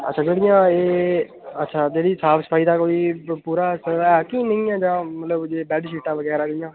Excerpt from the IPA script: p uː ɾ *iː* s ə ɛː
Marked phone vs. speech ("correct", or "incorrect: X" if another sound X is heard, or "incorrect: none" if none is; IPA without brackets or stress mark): incorrect: aː